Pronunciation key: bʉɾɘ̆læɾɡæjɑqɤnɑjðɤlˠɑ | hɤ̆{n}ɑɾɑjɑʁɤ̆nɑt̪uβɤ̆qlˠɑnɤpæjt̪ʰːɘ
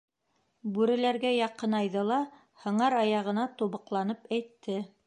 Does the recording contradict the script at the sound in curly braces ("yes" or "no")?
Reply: yes